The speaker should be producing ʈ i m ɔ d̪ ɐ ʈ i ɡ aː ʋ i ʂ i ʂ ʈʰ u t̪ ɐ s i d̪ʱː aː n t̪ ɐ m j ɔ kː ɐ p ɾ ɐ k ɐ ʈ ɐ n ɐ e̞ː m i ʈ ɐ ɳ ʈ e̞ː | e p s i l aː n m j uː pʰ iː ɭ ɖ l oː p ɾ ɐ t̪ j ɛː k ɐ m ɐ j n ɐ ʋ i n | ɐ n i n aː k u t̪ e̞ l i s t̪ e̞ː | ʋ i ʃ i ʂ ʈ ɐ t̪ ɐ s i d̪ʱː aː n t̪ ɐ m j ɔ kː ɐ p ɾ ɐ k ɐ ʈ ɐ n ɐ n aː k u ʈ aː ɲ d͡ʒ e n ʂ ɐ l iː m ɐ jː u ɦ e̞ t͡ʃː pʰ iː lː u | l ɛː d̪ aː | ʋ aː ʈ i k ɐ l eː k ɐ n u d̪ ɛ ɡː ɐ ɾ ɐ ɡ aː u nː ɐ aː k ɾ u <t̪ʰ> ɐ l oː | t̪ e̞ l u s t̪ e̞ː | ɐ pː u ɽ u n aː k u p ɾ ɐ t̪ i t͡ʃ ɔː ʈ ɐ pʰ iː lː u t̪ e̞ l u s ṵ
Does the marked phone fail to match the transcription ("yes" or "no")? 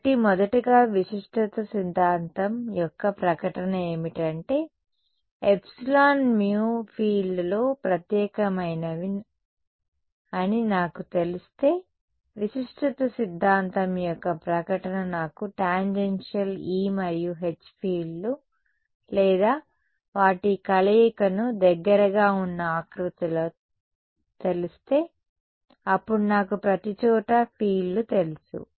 yes